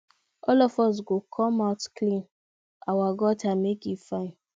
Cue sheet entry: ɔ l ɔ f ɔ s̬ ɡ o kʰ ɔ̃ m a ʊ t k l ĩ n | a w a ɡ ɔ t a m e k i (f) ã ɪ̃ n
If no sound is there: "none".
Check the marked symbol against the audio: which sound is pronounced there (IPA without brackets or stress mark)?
f